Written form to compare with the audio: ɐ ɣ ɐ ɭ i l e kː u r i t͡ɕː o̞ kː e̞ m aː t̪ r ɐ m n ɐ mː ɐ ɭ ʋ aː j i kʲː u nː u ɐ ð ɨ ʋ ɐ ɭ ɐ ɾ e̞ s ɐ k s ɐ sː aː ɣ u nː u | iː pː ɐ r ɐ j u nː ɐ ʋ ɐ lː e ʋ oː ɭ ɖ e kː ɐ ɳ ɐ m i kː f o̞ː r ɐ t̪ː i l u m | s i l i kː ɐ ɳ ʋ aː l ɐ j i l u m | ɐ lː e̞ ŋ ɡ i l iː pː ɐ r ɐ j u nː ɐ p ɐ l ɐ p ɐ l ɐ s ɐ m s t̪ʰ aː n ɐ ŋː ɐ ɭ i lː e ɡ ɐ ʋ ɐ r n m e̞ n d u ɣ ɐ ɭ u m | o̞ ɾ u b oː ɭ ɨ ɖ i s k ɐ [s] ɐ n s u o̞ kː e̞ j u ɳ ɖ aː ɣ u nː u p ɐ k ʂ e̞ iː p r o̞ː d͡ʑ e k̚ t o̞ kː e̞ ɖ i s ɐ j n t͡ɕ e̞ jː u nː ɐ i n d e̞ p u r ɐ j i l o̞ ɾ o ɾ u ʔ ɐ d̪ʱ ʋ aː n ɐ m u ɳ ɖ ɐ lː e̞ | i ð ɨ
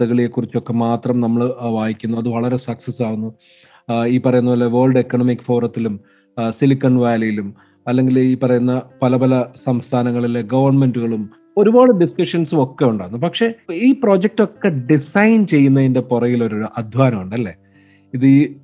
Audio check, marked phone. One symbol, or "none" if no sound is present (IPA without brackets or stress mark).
ʂ